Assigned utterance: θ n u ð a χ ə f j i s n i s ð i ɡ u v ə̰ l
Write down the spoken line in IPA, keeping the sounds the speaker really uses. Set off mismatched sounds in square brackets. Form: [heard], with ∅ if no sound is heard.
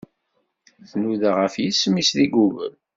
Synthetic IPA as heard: θ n u ð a [ʁ] ə f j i s [m] i s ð i ɡ u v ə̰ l

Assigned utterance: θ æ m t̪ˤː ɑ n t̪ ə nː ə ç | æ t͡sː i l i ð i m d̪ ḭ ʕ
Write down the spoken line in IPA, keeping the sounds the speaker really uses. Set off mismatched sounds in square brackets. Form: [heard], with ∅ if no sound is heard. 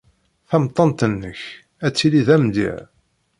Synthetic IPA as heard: θ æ m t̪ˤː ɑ n t̪ ə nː ə ç | æ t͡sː i l i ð [æ] m d̪ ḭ ʕ

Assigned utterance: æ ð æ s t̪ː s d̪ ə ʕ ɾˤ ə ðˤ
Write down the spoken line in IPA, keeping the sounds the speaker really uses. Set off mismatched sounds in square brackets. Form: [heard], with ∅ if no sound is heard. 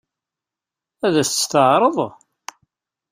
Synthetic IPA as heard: æ ð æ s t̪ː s [t̪] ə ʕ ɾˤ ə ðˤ

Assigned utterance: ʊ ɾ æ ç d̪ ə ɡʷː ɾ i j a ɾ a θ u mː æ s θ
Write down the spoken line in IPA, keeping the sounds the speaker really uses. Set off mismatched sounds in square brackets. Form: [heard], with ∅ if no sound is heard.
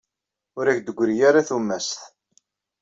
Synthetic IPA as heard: ʊ ɾ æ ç d̪ ə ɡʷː ɾ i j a ɾ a θ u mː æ s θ

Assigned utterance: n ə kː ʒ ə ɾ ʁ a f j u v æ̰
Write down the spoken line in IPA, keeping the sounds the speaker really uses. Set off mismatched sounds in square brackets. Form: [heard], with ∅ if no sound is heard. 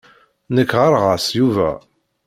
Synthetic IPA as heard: n ə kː [ʁ] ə ɾ ʁ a [s] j u v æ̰

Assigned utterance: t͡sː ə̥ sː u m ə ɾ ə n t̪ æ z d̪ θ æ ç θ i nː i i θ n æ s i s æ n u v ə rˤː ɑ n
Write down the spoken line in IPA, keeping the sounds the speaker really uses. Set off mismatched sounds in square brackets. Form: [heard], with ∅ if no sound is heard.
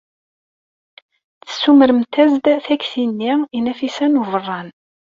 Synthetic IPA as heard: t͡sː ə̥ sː u m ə ɾ ə [m] t̪ æ z d̪ θ æ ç θ i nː i i [∅] n æ [f] i s æ n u v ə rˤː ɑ n

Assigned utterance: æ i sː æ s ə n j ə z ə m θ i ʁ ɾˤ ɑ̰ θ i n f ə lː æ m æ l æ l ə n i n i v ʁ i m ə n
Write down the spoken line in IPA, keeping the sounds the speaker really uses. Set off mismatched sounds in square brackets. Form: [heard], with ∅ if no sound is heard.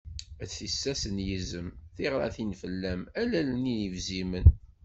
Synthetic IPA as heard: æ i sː æ s ə n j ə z ə m θ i ʁ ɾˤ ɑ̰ θ i n f ə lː æ m æ l æ l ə n i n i v [z] i m ə n

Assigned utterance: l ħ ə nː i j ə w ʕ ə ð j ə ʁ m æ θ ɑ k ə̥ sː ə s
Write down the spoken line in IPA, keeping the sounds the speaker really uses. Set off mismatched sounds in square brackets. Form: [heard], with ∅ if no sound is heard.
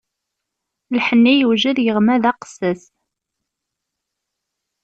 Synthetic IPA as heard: l ħ ə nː i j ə w [ʒ] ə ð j ə ʁ m æ [ð] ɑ [q] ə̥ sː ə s

